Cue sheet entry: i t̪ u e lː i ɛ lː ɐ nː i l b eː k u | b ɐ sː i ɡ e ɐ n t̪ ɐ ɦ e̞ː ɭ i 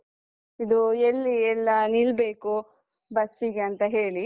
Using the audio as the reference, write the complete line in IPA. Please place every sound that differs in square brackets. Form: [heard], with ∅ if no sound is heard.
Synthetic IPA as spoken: i [d̪] u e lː i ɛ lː ɐ [n] i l b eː k u | b ɐ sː i ɡ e ɐ n t̪ ɐ ɦ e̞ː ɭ i